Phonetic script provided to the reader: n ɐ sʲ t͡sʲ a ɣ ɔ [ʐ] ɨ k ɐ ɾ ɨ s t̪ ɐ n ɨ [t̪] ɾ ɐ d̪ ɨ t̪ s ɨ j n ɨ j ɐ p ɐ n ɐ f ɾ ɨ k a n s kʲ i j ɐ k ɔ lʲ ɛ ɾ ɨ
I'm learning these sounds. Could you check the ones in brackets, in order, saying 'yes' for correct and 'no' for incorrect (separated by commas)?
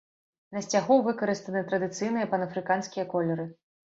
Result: no, yes